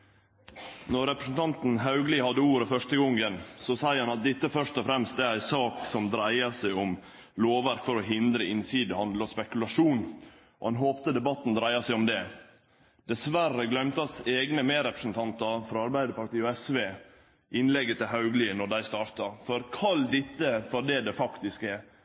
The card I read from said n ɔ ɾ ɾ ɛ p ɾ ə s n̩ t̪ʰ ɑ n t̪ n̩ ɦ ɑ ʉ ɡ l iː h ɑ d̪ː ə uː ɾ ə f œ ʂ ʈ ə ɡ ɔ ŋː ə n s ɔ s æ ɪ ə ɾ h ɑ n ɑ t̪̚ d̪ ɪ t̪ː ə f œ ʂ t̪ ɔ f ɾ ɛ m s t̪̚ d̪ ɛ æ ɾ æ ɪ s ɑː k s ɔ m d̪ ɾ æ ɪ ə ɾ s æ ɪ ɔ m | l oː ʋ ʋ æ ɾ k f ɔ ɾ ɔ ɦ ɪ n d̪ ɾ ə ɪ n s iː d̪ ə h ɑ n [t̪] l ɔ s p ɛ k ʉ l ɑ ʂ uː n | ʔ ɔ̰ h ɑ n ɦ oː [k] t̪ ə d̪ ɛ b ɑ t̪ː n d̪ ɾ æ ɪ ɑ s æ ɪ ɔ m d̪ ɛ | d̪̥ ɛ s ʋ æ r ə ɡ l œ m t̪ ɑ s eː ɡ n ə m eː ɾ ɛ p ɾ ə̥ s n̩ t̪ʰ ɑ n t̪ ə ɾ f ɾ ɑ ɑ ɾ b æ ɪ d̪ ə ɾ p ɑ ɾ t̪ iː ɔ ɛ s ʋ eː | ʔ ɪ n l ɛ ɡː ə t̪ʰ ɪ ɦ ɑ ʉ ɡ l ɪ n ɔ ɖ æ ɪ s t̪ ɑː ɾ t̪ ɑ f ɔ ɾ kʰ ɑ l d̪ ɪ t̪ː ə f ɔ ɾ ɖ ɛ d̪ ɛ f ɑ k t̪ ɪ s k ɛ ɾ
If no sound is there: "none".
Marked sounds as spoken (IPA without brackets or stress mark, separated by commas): d̪, p